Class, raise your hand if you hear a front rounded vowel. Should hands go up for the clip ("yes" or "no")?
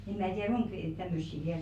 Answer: yes